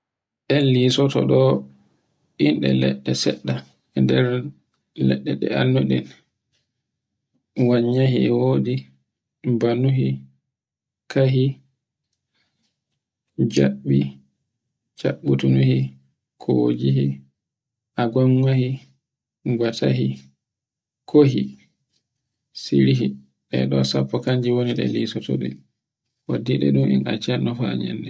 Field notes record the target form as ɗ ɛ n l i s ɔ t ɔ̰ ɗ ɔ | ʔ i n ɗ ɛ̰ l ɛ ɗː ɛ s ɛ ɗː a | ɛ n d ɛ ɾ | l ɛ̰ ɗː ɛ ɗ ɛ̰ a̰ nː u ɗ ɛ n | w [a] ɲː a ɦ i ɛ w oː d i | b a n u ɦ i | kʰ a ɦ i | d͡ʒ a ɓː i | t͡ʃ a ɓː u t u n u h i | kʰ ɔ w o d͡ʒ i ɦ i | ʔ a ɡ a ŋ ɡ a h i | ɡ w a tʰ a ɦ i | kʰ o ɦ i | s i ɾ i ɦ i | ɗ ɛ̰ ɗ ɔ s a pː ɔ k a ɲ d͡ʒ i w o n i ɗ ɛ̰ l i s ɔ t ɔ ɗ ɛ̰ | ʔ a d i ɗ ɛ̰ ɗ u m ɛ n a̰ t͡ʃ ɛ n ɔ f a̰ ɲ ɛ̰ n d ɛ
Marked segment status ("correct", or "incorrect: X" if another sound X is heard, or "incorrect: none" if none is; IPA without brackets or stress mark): correct